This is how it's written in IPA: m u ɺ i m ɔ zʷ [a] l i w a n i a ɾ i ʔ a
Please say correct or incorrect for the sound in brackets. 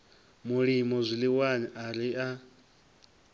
incorrect